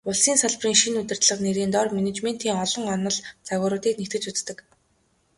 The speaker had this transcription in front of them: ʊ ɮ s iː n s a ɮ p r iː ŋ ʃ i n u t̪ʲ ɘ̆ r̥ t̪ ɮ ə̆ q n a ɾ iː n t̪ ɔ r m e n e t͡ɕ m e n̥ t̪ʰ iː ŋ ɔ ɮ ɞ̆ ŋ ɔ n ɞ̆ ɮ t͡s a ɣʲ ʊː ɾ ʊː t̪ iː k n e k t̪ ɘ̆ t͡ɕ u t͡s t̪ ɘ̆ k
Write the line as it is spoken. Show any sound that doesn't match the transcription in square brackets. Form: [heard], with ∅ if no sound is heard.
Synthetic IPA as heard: ʊ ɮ s iː n s a ɮ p r iː ŋ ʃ i n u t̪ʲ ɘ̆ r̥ t̪ ɮ ə̆ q n [e] ɾ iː n t̪ ɔ r m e n e t͡ɕ m e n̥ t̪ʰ iː ŋ ɔ ɮ ɞ̆ ŋ ɔ n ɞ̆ ɮ t͡s a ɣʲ ʊː ɾ ʊː t̪ iː k n e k t̪ ɘ̆ t͡ɕ u t͡s t̪ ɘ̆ k